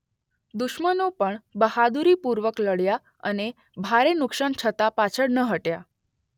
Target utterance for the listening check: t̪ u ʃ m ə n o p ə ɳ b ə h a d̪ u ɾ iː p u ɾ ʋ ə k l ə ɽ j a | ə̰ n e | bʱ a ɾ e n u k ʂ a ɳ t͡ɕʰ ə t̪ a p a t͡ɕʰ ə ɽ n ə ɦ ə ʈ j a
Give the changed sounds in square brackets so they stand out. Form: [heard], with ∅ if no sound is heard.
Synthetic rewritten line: [d̪] u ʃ m ə n o p ə ɳ b ə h a d̪ u ɾ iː p u ɾ ʋ ə k l ə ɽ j a | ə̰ n e | bʱ a ɾ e n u k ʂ a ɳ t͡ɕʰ ə t̪ a p a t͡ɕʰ ə ɽ n ə ɦ ə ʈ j a